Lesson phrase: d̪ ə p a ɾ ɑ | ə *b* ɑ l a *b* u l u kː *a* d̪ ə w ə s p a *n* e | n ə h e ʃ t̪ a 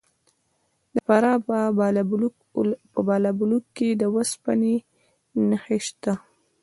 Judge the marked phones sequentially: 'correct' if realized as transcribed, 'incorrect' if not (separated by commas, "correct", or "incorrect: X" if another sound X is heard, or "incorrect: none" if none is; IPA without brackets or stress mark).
correct, correct, incorrect: e, correct